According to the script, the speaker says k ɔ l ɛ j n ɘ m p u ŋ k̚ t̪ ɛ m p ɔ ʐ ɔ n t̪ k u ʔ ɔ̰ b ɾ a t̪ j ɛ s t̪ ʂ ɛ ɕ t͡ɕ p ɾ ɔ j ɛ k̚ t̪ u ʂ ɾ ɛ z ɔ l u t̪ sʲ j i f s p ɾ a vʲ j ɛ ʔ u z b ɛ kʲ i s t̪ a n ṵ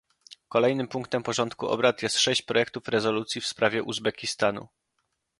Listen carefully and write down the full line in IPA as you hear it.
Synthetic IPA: k ɔ l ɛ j n ɘ m p u ŋ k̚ t̪ ɛ m p ɔ ʐ ɔ n t̪ k u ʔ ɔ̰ b ɾ a t̪ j ɛ s t̪ ʂ ɛ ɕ t͡ɕ p ɾ ɔ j ɛ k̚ t̪ u f ɾ ɛ z ɔ l u t̪ sʲ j i f s p ɾ a vʲ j ɛ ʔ u z b ɛ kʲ i s t̪ a n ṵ